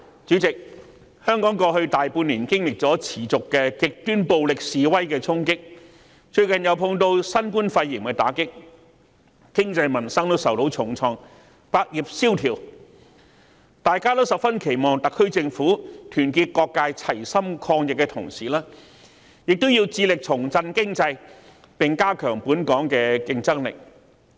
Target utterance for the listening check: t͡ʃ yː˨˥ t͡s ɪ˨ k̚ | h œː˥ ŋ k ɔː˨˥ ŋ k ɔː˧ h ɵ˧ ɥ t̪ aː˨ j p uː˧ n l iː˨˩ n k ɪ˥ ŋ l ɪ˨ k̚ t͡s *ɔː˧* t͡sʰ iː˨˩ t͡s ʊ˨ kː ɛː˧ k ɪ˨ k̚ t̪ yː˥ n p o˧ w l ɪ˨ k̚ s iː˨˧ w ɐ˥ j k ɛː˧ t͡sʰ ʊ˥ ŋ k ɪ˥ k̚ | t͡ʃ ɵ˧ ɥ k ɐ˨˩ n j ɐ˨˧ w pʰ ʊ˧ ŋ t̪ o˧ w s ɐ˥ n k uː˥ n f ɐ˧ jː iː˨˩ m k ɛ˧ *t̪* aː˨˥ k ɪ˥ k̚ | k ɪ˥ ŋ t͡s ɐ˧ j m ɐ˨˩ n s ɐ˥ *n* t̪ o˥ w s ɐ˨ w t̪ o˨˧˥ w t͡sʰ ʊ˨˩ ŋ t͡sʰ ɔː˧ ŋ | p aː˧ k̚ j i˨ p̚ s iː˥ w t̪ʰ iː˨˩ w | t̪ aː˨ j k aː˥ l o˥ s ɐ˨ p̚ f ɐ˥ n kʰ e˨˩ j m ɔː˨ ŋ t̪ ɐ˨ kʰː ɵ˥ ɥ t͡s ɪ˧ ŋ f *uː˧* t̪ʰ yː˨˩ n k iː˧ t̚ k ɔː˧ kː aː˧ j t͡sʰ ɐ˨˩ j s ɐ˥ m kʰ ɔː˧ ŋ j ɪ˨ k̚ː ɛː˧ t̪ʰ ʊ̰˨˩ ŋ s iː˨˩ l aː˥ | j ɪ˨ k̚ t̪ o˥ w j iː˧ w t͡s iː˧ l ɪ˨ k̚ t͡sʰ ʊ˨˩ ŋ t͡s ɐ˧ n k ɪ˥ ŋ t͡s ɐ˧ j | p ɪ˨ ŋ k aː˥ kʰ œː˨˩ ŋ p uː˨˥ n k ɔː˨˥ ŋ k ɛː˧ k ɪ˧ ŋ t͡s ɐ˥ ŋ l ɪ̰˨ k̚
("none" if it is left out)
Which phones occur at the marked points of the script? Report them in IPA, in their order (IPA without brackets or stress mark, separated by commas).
ɔː˨˥, t̪, ŋ, uː˨˥